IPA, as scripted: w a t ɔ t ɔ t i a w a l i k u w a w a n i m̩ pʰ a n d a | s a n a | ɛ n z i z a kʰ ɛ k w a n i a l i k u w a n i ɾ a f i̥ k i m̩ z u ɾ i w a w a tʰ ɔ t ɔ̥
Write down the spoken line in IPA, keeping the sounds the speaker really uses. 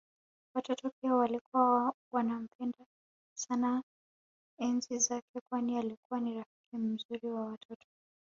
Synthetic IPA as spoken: w a t ɔ t ɔ p i a w a l i k u w a w a n a m̩ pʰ ɛ n d a | s a n a | ɛ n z i z a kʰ ɛ k w a n i a l i k u w a n i ɾ a f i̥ k i m̩ z u ɾ i w a w a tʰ ɔ t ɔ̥

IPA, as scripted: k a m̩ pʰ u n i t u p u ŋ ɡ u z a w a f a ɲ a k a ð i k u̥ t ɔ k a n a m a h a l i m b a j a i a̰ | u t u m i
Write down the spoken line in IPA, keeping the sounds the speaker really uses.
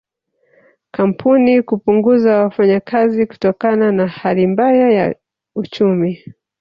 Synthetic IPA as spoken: k a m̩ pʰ u n i k u p u ŋ ɡ u z a w a f a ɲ a k a z i k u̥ t ɔ k a n a n a h a l i m b a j a j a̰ | u t͡ʃ u m i

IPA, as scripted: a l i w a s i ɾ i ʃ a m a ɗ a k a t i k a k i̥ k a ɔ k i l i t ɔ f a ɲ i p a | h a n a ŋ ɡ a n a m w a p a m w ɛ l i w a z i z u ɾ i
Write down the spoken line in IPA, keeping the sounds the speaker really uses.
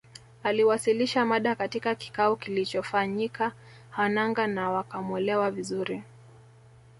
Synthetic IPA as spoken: a l i w a s i l i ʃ a m a ɗ a k a t i k a k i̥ k a ɔ k i l i t͡ʃ ɔ f a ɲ i k a | h a n a ŋ ɡ a n a w a k a m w ɛ l ɛ w a v i z u ɾ i

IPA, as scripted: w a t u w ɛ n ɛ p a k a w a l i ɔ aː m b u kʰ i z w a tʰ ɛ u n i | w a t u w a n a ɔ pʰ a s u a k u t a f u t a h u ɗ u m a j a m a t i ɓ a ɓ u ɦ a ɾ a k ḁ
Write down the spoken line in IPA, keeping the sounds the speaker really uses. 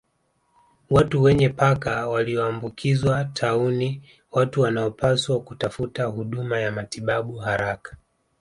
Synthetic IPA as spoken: w a t u w ɛ ɲ ɛ p a k a w a l i ɔ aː m b u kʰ i z w a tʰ a u n i | w a t u w a n a ɔ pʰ a s w a k u t a f u t a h u ɗ u m a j a m a t i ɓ a ɓ u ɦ a ɾ a k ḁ

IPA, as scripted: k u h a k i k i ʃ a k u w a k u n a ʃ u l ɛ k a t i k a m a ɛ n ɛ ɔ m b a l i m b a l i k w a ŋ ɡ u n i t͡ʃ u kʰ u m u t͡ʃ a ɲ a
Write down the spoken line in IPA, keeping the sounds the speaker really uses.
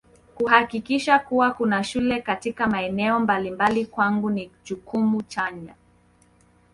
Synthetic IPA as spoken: k u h a k i k i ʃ a k u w a k u n a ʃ u l ɛ k a t i k a m a ɛ n ɛ ɔ m b a l i m b a l i k w a ŋ ɡ u n i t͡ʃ u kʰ u m u t͡ʃ a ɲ a

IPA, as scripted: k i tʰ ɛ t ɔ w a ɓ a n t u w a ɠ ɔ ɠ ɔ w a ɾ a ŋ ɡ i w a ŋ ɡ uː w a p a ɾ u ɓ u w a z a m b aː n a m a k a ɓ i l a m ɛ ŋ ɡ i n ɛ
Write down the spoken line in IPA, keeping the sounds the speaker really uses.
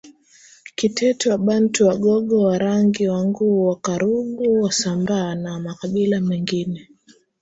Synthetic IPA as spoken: k i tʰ ɛ t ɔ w a ɓ a n t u w a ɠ ɔ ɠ ɔ w a ɾ a ŋ ɡ i w a ŋ ɡ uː w a k a ɾ u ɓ u w a s a m b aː n a m a k a ɓ i l a m ɛ ŋ ɡ i n ɛ

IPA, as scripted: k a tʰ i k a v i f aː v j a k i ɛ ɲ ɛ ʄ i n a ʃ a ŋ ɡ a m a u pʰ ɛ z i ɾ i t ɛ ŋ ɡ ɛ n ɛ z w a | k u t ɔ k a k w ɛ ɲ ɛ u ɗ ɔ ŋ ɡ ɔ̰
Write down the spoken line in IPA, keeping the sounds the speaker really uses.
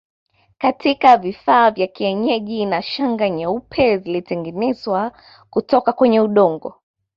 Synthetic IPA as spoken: k a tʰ i k a v i f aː v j a k i ɛ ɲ ɛ ʄ i n a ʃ a ŋ ɡ a ɲ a u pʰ ɛ z i l i t ɛ ŋ ɡ ɛ n ɛ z w a | k u t ɔ k a k w ɛ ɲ ɛ u ɗ ɔ ŋ ɡ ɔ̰

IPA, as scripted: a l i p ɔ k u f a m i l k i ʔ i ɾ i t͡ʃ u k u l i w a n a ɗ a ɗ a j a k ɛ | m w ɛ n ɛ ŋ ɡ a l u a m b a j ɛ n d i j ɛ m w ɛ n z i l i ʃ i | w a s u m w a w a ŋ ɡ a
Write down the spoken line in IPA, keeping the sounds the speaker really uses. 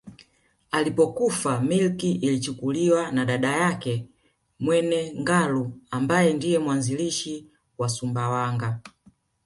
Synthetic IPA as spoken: a l i p ɔ k u f a m i l k i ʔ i l i t͡ʃ u k u l i w a n a ɗ a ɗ a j a k ɛ | m w ɛ n ɛ ŋ ɡ a l u a m b a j ɛ n d i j ɛ m w a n z i l i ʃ i | w a s u m b a w a ŋ ɡ a

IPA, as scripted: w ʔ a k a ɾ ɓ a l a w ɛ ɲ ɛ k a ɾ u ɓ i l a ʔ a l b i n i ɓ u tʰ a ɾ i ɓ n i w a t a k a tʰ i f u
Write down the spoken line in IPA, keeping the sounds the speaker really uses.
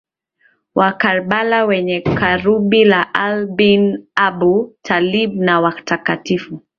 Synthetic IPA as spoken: w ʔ a k a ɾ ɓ a l a w ɛ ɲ ɛ k a ɾ u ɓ i l a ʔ a l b i n a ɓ u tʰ a l i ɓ n a w a t a k a t i f u

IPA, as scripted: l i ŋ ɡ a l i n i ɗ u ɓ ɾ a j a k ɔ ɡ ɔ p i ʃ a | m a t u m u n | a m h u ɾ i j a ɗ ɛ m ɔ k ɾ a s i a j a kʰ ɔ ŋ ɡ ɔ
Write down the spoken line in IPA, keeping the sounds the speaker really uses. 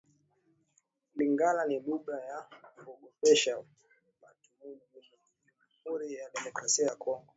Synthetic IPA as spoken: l i ŋ ɡ a l a n i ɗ u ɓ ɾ a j a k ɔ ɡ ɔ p ɛ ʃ a | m a t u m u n | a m h u ɾ i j a ɗ ɛ m ɔ k ɾ a s i a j a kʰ ɔ ŋ ɡ ɔ

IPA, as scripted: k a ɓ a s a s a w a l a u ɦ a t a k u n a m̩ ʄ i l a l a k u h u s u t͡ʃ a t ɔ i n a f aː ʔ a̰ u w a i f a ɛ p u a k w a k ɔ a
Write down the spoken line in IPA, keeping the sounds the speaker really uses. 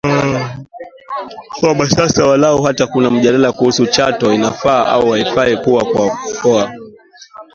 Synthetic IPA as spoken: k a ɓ a s a s a w a l a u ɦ a t a k u n a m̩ ʄ a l a l a k u h u s u t͡ʃ a t ɔ i n a f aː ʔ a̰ u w a i f a ɛ p u a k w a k ɔ a

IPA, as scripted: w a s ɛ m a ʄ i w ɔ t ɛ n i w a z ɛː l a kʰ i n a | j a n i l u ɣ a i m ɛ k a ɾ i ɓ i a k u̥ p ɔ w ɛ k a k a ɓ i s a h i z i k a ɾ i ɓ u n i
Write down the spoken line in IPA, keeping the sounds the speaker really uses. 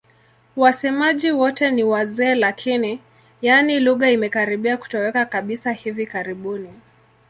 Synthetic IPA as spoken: w a s ɛ m a ʄ i w ɔ t ɛ n i w a z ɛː l a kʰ i n i | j a n i l u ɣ a i m ɛ k a ɾ i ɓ i a k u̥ t ɔ w ɛ k a k a ɓ i s a h i v i k a ɾ i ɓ u n i

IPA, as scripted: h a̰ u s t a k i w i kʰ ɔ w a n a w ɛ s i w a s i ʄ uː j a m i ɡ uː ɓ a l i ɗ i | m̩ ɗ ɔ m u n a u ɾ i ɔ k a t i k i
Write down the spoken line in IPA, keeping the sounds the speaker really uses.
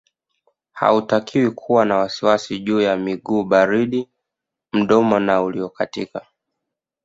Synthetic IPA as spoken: h a̰ u t a k i w i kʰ u w a n a w a s i w a s i ʄ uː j a m i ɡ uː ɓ a ɾ i ɗ i | m̩ ɗ ɔ m ɔ n a u l i ɔ k a t i k a

